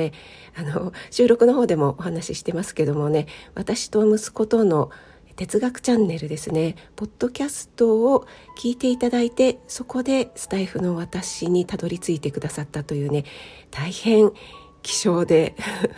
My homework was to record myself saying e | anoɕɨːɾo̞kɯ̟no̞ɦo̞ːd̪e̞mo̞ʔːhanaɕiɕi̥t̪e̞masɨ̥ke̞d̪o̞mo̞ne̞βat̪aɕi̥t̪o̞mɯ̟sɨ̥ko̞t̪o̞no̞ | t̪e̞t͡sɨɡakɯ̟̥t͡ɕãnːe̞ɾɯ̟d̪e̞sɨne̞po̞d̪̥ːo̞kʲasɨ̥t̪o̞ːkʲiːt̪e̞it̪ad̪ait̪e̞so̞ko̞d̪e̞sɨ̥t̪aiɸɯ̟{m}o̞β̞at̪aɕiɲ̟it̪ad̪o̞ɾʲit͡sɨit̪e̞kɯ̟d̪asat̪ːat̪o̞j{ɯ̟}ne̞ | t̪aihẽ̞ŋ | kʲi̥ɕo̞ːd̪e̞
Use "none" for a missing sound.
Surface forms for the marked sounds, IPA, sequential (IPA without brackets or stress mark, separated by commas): n, ɯ̟ː